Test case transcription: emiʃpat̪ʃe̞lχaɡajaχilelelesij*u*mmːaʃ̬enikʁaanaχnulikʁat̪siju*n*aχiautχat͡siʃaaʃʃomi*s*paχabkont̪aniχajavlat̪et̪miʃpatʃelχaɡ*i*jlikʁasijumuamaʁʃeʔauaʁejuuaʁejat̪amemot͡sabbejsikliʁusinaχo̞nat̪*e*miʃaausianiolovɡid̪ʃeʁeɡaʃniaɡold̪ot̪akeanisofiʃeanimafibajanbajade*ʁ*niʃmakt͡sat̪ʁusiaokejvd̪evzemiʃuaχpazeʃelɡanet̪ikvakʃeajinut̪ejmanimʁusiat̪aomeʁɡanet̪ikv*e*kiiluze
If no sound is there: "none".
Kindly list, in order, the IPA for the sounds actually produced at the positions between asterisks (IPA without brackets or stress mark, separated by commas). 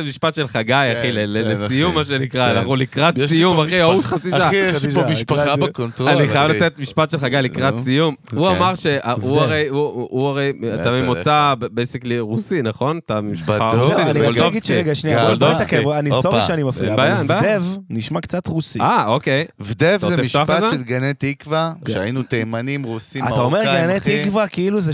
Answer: u, m, ʃ, a, a, v, a